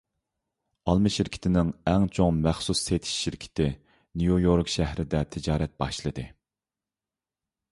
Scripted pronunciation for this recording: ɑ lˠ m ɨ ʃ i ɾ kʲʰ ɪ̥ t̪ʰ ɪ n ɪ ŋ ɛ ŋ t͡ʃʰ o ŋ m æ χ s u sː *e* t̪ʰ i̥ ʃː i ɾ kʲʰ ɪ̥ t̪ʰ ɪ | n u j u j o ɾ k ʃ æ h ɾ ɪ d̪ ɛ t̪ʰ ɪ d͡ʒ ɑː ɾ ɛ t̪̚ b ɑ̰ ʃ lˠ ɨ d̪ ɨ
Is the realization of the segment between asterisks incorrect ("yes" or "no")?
no